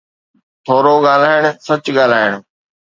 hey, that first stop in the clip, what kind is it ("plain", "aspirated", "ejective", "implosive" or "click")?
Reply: aspirated